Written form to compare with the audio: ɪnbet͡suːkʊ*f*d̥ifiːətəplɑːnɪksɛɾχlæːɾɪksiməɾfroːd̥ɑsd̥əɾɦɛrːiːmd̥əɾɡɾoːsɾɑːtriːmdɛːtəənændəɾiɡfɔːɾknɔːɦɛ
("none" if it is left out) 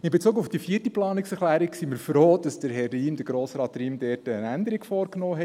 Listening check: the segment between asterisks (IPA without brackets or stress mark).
f